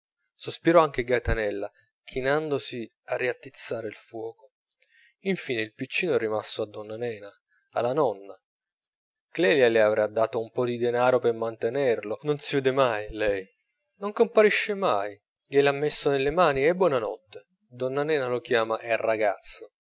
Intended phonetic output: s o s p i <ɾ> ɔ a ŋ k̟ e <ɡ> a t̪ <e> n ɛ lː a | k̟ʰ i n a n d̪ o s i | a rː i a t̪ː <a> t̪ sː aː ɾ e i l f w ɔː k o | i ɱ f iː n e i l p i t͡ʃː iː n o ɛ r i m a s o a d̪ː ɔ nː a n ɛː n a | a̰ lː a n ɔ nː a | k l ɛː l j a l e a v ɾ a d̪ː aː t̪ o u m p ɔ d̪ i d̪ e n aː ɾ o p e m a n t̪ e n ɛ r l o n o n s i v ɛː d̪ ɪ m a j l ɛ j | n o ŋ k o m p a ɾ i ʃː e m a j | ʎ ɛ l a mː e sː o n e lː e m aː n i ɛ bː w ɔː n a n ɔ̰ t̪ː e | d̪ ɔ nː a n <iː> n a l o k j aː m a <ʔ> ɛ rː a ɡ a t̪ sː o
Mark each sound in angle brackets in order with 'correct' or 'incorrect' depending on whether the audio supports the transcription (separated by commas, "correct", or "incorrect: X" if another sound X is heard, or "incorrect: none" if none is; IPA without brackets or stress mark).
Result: correct, correct, incorrect: a, incorrect: i, incorrect: ɛː, correct